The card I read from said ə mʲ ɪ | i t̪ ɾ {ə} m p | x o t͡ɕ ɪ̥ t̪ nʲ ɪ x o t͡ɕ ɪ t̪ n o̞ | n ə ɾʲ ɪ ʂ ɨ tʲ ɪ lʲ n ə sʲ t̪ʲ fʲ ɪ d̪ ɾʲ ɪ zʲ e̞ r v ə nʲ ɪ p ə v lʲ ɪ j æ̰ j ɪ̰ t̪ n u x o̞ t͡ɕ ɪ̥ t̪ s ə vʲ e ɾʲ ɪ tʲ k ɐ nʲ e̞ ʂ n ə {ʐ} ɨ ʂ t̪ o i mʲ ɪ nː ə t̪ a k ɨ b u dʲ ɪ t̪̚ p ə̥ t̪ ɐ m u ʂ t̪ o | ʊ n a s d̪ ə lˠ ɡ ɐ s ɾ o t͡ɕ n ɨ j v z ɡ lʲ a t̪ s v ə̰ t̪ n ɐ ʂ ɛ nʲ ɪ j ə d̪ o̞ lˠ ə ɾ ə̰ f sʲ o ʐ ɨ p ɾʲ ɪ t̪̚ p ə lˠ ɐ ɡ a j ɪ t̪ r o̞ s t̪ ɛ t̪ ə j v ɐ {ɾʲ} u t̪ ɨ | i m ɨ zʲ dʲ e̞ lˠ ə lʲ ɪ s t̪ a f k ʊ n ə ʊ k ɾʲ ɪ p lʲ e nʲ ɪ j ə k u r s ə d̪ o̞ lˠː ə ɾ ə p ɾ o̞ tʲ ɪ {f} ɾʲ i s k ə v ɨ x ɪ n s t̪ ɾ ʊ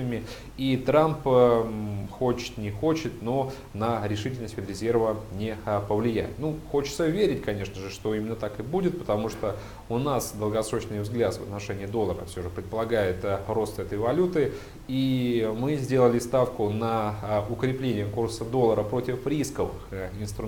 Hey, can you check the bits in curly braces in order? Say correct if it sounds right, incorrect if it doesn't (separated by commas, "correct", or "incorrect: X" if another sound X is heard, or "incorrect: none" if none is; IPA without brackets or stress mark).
incorrect: a, correct, incorrect: lʲ, correct